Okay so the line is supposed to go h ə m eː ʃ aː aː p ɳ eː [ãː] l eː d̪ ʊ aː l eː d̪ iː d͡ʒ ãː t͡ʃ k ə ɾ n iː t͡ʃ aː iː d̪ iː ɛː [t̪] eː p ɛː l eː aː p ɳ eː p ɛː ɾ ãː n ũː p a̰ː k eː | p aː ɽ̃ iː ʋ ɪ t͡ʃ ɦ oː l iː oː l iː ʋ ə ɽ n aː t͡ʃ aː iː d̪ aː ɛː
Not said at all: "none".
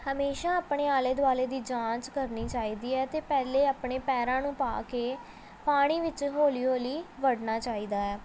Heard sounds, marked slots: aː, t̪

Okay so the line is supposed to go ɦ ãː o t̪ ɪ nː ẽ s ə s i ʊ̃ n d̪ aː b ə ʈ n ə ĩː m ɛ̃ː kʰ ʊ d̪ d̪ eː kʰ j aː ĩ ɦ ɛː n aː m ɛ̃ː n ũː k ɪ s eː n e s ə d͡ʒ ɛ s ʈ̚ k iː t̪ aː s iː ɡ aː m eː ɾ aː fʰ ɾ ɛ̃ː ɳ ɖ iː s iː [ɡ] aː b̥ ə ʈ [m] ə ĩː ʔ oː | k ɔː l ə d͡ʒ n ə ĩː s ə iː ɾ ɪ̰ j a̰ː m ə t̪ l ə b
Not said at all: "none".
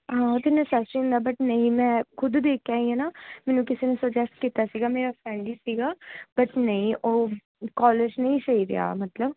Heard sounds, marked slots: ɡ, n

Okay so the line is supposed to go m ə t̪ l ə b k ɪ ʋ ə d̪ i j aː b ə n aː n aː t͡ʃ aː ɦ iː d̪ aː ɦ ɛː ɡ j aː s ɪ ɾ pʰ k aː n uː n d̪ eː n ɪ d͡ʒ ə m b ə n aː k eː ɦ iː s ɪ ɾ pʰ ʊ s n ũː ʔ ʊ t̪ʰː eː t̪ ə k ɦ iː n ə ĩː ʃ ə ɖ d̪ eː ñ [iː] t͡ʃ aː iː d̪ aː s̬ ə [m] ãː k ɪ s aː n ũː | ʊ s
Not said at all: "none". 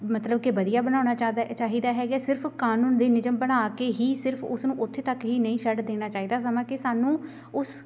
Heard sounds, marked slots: aː, m

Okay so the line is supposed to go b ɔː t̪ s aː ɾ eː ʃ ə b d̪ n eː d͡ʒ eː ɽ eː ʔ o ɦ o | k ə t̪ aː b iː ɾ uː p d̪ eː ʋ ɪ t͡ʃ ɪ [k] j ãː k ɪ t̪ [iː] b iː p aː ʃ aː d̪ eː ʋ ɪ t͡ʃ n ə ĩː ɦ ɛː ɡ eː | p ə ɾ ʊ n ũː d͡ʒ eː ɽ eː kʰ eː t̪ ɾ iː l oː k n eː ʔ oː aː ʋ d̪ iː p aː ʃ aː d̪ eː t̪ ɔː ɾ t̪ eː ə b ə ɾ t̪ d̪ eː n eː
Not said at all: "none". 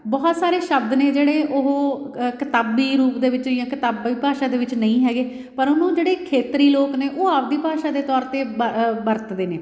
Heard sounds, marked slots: none, aː

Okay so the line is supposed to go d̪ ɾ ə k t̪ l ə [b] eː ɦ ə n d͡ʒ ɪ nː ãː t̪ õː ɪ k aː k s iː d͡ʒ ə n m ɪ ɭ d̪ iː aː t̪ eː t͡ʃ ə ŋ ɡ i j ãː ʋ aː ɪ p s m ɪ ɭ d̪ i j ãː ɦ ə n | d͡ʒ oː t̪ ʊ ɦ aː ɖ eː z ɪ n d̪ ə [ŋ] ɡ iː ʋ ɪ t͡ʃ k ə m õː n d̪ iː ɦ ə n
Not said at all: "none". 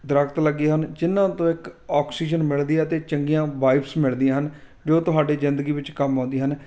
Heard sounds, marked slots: ɡ, none

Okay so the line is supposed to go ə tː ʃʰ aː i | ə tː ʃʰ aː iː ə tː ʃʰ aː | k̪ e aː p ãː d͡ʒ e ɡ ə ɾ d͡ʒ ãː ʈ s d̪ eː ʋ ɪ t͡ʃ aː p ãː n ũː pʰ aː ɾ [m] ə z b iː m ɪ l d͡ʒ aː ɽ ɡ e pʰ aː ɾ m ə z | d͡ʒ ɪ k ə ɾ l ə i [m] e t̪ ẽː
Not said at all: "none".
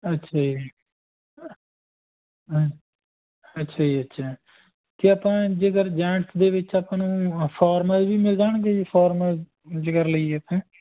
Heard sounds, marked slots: m, none

